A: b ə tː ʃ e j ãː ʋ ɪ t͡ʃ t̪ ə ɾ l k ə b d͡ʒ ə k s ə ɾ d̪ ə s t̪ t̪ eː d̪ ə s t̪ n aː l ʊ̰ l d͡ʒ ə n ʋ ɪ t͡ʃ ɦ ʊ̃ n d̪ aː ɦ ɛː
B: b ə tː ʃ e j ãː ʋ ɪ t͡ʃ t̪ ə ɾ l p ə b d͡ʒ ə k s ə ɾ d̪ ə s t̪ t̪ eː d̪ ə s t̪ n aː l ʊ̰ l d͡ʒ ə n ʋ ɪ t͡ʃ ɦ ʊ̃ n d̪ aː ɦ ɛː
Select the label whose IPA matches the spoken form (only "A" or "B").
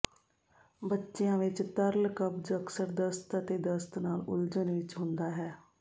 A